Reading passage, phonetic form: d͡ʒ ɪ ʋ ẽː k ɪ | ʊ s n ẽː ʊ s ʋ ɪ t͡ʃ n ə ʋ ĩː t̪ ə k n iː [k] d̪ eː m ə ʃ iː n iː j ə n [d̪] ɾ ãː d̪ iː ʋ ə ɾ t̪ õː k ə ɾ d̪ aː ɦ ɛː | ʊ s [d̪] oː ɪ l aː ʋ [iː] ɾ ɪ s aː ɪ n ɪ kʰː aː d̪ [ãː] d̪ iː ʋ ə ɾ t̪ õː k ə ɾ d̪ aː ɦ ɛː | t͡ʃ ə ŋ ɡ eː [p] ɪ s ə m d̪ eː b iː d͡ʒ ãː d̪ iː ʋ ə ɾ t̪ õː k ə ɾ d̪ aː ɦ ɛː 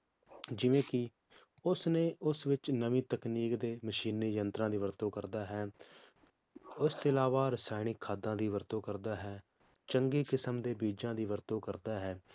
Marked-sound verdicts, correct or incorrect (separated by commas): correct, incorrect, incorrect, incorrect, correct, incorrect